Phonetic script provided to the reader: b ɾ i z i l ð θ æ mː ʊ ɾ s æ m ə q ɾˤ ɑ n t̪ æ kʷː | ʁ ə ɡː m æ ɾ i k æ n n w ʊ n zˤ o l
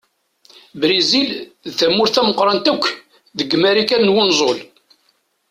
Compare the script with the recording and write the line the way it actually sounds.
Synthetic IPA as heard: b ɾ i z i l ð θ æ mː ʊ ɾ θ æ m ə q ɾˤ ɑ n t̪ æ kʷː | ð ə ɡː m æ ɾ i k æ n n w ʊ n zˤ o l